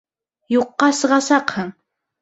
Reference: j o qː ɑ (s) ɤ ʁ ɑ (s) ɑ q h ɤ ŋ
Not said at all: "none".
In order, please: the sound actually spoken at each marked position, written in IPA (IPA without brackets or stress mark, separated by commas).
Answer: s, s